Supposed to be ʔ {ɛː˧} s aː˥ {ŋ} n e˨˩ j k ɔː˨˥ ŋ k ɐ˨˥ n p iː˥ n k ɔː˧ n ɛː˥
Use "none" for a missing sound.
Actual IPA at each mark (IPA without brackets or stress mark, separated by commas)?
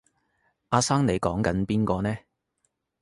aː˧, ŋ